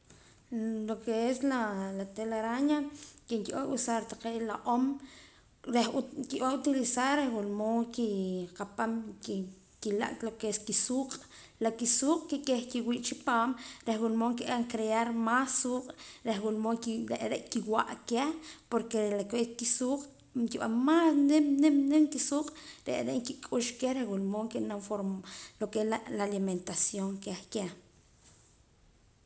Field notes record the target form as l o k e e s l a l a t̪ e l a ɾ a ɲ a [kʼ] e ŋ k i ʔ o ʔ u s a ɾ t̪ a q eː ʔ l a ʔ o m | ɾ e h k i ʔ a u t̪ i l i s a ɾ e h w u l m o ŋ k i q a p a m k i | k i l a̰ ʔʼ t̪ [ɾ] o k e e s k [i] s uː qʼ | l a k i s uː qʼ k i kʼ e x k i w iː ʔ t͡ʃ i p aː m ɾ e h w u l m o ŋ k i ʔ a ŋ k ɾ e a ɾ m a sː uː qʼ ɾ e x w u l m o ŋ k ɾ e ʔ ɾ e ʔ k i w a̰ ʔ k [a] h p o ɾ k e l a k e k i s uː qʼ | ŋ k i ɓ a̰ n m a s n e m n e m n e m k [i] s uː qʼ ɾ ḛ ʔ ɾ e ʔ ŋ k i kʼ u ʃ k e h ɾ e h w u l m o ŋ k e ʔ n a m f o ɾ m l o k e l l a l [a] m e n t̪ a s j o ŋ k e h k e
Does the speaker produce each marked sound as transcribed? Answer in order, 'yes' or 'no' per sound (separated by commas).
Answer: no, no, yes, no, yes, no